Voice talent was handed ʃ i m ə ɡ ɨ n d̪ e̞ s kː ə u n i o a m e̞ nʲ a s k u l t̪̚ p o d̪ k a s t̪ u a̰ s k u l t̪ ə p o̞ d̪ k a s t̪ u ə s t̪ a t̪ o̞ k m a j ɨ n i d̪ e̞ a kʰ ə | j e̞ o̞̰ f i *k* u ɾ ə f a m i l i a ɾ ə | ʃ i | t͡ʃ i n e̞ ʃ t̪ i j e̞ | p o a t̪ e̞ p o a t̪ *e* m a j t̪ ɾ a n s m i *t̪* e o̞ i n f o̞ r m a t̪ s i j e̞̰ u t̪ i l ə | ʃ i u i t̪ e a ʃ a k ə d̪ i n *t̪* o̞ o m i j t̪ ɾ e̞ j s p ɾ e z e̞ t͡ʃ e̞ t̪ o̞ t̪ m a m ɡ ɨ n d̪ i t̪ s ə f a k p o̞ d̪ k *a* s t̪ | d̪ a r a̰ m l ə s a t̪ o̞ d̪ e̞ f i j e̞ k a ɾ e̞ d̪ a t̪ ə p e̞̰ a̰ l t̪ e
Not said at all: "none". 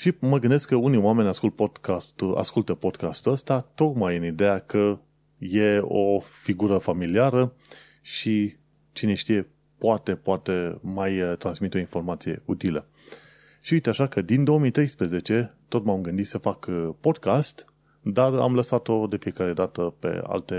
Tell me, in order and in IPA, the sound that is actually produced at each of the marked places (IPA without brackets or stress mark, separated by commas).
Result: ɡ, e, t̪, d̪, a